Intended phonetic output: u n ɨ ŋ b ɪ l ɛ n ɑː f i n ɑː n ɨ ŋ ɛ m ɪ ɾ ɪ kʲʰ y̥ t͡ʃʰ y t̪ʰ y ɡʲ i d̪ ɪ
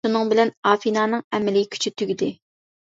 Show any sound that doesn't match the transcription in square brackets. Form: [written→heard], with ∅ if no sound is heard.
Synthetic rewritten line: u n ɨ ŋ b ɪ l ɛ n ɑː f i n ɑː n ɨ ŋ ɛ m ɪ [ɾ→l] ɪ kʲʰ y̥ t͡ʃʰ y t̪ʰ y ɡʲ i d̪ ɪ